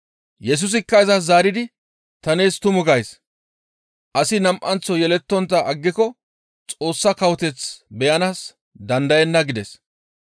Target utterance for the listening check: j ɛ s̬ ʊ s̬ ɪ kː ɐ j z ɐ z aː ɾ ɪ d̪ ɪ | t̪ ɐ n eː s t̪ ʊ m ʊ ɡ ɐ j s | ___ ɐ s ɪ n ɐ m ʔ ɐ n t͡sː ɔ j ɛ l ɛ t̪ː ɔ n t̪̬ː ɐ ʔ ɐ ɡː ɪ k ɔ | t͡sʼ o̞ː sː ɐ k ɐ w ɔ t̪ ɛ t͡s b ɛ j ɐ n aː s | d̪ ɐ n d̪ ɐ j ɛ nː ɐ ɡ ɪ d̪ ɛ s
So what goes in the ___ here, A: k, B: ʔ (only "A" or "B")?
B